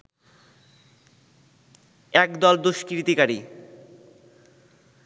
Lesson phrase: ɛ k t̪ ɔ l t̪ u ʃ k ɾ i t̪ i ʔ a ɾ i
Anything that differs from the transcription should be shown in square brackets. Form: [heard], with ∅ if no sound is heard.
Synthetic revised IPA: ɛ k [d̪] ɔ l [d̪] u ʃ k ɾ i t̪ i [k] a ɾ i